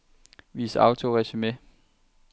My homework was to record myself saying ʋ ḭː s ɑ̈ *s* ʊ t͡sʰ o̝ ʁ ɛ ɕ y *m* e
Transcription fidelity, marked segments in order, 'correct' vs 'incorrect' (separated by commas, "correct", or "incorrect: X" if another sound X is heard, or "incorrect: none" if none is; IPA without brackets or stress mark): incorrect: none, correct